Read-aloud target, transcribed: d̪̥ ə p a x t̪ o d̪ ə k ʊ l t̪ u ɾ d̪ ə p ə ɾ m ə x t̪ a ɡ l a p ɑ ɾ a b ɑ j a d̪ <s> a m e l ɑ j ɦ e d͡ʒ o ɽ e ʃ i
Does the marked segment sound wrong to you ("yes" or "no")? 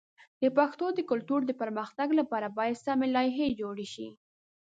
no